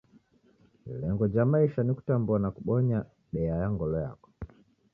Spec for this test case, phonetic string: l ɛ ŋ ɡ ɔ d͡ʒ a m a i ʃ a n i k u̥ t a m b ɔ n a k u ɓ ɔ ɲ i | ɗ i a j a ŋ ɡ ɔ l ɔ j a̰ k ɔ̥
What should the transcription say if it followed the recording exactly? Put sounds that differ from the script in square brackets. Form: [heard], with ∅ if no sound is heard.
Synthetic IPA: l ɛ ŋ ɡ ɔ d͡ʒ a m a i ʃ a n i k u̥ t a m b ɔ n a k u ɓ ɔ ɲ [a] | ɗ [ɛ] a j a ŋ ɡ ɔ l ɔ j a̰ k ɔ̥